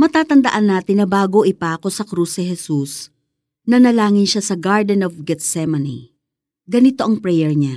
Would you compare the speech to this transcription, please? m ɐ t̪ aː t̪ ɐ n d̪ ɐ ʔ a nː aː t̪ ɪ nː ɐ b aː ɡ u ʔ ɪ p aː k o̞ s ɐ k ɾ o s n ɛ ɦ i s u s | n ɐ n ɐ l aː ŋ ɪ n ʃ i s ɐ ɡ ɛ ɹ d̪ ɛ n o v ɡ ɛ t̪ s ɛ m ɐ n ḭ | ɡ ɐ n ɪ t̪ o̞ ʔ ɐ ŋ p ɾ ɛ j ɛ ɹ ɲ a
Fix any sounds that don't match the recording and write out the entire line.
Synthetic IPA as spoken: m ɐ t̪ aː t̪ ɐ n d̪ ɐ ʔ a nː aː t̪ ɪ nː ɐ b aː ɡ o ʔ ɪ p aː k o̞ s ɐ k ɾ u s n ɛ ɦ ɛ s u s | n ɐ n ɐ l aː ŋ ɪ n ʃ a s ɐ ɡ a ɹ d̪ ɛ n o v ɡ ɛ t̪ s ɛ m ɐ n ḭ | ɡ ɐ n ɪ t̪ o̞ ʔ ɐ ŋ p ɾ ɛ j ɛ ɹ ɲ a